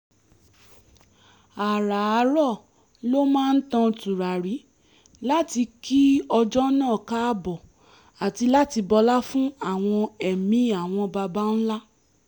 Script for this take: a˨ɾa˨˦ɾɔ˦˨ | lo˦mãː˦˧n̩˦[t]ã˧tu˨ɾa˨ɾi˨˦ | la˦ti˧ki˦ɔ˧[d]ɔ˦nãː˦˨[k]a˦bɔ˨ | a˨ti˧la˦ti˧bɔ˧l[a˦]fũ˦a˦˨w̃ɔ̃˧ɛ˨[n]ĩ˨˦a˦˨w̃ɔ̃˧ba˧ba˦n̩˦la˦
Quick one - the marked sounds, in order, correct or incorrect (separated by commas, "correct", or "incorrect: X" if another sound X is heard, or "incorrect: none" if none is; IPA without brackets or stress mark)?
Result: correct, incorrect: d͡ʒ, correct, correct, incorrect: m